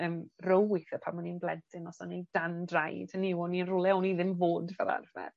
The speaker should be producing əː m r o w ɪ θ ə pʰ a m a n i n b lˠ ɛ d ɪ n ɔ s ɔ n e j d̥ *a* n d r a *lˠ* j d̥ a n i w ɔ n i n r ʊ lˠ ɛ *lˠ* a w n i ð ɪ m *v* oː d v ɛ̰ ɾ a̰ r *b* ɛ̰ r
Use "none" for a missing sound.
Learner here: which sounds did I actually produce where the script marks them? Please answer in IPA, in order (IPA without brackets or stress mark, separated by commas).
a, none, none, v, v